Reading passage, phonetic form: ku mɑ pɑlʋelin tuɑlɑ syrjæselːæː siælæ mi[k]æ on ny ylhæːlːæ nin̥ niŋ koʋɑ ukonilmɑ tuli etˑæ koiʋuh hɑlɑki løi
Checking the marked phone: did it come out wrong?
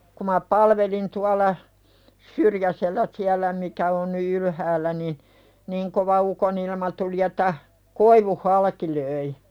no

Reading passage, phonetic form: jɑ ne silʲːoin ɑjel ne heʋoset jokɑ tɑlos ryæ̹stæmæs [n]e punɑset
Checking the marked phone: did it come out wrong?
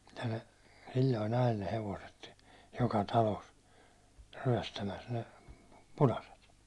no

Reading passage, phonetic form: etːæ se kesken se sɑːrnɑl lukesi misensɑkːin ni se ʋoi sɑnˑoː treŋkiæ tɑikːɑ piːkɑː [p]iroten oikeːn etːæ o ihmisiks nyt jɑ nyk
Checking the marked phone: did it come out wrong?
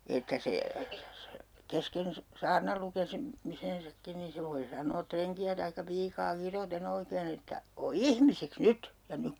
yes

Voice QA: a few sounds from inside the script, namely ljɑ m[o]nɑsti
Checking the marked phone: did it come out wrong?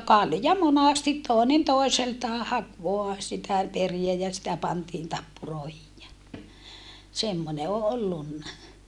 no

